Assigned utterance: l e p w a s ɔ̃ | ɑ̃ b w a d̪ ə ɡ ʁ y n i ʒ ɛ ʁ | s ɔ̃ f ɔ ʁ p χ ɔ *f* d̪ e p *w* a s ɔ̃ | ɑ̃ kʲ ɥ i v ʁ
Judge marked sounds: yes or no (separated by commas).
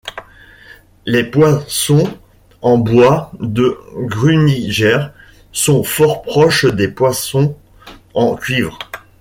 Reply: no, yes